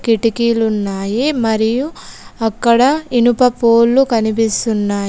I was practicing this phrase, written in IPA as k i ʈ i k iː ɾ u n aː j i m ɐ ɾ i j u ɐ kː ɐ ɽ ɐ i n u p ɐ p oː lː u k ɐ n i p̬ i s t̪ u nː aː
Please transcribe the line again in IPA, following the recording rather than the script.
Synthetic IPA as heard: k i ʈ i k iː l u nː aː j i m ɐ ɾ i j u ɐ kː ɐ ɽ ɐ i n u p ɐ p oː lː u k ɐ n i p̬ i s t̪ u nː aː